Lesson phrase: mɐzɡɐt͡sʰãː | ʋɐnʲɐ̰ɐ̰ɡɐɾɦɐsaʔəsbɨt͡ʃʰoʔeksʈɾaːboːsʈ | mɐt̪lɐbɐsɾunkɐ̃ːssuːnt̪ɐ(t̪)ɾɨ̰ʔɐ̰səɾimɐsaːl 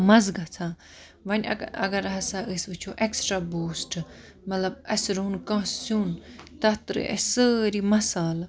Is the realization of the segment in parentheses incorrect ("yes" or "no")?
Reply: no